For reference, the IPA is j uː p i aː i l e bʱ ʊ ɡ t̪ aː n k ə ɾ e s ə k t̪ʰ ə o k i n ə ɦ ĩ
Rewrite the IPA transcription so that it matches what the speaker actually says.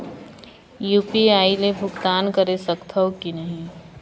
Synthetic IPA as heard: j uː p i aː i l e bʱ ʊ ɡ t̪ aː n k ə ɾ e s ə k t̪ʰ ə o k i n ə ɦ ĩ